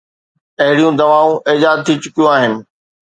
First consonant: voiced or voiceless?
voiced